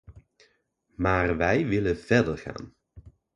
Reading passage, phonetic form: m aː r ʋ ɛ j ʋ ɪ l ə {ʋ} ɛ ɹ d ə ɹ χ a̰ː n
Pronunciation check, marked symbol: incorrect: v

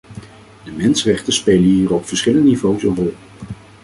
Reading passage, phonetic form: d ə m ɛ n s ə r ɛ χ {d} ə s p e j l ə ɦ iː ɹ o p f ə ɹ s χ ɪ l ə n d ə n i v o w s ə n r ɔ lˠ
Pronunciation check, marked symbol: incorrect: t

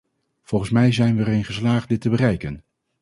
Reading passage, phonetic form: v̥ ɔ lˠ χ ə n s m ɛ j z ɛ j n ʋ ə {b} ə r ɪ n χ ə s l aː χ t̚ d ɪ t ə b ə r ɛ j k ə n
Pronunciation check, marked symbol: incorrect: none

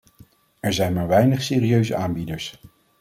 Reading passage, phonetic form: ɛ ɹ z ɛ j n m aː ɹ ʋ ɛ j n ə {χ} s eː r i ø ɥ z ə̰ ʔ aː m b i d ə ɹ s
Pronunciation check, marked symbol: correct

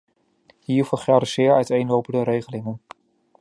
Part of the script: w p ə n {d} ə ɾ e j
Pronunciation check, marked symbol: correct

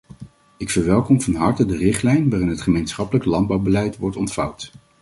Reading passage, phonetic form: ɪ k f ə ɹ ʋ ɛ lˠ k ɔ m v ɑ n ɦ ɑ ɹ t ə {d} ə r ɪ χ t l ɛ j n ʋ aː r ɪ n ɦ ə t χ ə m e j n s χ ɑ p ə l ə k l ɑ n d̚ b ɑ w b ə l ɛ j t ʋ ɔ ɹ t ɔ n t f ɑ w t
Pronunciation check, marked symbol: correct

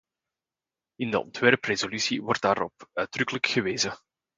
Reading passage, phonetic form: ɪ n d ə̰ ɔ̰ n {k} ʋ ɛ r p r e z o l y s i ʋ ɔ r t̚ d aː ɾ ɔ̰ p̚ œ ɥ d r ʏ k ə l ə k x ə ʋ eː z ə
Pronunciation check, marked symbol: incorrect: t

